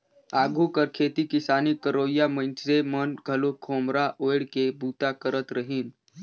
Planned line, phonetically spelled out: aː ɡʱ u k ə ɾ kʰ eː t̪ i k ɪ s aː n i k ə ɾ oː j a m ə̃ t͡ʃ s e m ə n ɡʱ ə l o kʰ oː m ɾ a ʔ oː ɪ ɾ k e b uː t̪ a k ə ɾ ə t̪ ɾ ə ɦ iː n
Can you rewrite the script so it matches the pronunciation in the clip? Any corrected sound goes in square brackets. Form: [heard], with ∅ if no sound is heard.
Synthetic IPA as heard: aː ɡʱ u k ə ɾ kʰ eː t̪ i k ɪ s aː n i k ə ɾ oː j a m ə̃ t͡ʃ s e m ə n ɡʱ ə l o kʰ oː m ɾ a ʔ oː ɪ [ɽ] k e b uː t̪ a k ə ɾ ə t̪ ɾ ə ɦ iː n

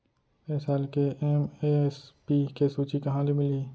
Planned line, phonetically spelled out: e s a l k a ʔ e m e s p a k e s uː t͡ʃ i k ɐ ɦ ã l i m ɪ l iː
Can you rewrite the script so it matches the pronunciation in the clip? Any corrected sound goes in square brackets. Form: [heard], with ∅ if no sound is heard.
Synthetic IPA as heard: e s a l k [e] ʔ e m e s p [i] k e s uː t͡ʃ i k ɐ ɦ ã l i m ɪ l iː

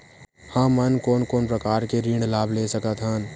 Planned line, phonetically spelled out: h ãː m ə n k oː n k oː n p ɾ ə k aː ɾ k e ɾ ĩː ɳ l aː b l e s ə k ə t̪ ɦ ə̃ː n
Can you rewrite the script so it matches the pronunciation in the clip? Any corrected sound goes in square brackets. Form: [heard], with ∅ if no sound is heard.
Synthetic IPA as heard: h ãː m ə n k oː n k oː n p ɾ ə k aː ɾ k e ɾ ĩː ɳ l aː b l e s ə k ə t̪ ɦ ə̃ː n

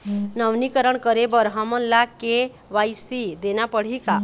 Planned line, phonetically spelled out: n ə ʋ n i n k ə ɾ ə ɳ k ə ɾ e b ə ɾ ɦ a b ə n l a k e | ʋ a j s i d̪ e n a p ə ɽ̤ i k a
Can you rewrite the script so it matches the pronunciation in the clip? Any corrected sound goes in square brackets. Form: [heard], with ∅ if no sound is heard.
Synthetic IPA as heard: n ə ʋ n i [∅] k ə ɾ ə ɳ k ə ɾ e b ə ɾ ɦ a [m] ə n l a k e | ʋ a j s i d̪ e n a p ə ɽ̤ i k a

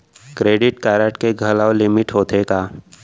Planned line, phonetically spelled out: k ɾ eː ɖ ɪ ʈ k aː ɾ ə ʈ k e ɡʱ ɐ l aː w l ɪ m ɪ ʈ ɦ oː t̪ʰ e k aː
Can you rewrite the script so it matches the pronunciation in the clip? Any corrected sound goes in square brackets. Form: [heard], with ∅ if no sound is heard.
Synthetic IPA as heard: k ɾ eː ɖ ɪ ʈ k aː ɾ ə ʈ k e ɡʱ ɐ l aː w l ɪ m ɪ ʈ ɦ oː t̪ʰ e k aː

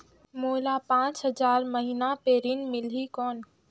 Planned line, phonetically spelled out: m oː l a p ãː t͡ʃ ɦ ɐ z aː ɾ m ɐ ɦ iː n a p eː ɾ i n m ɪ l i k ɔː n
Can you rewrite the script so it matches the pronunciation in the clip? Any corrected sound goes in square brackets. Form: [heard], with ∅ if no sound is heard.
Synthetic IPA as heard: m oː l a p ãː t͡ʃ ɦ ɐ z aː ɾ m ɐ ɦ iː n a p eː ɾ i n m ɪ l i k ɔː n

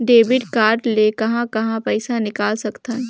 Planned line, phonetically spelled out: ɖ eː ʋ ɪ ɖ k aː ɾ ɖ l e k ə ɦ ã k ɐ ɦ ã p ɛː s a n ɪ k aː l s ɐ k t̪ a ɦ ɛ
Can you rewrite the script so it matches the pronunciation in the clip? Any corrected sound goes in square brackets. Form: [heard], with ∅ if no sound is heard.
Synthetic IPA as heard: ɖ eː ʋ ɪ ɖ k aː ɾ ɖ l e k [ɐ] ɦ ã k ɐ ɦ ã p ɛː s a n ɪ k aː l s ɐ k t̪ a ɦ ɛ

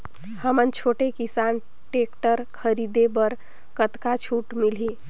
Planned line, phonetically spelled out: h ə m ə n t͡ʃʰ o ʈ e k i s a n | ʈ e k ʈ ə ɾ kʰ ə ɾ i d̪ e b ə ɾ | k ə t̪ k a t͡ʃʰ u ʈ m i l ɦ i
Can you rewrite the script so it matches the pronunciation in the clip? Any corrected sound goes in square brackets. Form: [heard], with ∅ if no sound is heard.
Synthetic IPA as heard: h ə m ə n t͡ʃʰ o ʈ e k i s a n | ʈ e k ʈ ə ɾ kʰ ə ɾ i d̪ e b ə ɾ | k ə t̪ k a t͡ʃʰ u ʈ m i l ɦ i

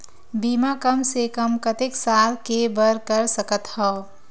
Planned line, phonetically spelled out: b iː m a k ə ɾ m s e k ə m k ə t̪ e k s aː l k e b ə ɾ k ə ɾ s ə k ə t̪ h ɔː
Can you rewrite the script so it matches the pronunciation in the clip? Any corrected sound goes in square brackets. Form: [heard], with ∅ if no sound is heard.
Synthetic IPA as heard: b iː m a k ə [∅] m s e k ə m k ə t̪ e k s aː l k e b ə ɾ k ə ɾ s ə k ə t̪ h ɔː

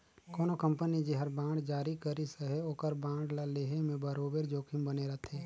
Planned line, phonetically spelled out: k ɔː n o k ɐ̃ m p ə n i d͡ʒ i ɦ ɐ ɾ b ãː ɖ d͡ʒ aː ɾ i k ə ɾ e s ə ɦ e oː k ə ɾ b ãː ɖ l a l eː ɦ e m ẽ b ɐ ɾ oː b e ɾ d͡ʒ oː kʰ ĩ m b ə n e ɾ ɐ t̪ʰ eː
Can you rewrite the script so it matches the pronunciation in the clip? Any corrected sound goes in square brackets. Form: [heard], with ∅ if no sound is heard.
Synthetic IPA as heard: k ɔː n o k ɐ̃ m p ə n i d͡ʒ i ɦ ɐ ɾ b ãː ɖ d͡ʒ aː ɾ i k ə ɾ [i] s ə ɦ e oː k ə ɾ b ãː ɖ l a l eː ɦ e m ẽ b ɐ ɾ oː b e ɾ d͡ʒ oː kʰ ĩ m b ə n e ɾ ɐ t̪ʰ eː

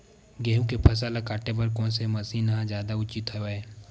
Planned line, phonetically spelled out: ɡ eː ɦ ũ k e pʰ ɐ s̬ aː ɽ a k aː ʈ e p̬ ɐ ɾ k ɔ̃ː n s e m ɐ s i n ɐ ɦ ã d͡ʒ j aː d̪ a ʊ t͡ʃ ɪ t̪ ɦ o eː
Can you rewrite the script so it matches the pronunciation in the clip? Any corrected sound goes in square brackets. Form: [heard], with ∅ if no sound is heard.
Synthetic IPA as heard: ɡ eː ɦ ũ k e pʰ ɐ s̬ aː [l] a k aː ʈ e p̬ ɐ ɾ k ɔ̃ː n s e m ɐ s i n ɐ ɦ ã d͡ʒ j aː d̪ a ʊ t͡ʃ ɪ t̪ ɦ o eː

